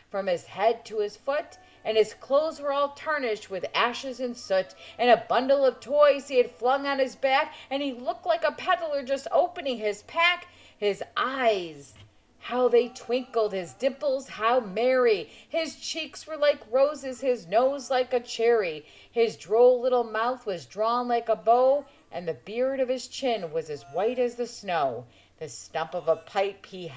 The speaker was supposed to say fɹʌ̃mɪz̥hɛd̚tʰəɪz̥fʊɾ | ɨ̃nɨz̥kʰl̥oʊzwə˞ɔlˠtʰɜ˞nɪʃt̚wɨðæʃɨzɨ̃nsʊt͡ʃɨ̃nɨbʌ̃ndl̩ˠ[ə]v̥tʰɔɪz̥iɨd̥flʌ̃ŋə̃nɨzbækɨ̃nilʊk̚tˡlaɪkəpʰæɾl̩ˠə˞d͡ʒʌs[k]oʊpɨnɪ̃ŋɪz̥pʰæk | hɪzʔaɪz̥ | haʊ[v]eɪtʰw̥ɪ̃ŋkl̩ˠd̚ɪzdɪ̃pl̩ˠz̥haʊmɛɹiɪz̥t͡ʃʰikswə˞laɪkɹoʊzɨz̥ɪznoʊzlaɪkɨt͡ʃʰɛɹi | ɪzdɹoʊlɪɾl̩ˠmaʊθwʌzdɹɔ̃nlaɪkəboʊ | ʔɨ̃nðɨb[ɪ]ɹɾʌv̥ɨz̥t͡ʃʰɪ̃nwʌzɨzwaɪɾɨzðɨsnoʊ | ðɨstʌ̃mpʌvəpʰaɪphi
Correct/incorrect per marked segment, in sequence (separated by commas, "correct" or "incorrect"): incorrect, incorrect, incorrect, correct